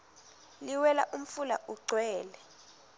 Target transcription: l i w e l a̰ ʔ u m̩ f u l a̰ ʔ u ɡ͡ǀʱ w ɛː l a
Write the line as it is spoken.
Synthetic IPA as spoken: l i w ɛ l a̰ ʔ u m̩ f u l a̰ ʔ u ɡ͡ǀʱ w ɛː l ɛ